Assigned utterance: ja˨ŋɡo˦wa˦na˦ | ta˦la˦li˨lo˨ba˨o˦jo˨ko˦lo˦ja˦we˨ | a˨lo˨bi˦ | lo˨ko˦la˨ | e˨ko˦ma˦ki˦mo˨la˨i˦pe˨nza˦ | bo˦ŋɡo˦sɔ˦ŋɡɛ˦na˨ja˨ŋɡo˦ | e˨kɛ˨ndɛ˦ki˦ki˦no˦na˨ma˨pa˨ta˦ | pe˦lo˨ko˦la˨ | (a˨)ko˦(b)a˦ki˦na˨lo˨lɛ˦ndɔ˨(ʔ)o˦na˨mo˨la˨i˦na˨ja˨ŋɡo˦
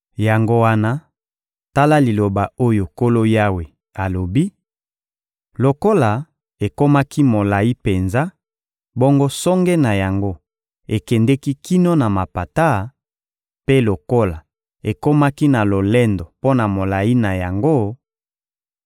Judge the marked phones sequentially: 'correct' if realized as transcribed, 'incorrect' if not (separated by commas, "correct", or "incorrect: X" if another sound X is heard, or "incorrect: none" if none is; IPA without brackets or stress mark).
incorrect: e˨, incorrect: m, incorrect: p